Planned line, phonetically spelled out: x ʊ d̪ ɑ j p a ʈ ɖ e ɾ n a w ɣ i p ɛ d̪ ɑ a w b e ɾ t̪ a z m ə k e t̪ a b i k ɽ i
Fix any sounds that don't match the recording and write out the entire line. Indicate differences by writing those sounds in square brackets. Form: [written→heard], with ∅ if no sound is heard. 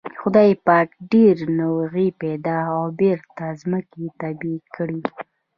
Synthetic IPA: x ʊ d̪ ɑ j p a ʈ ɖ e ɾ n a w ɣ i p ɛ d̪ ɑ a w b e ɾ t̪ a z m ə k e t̪ a b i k ɽ i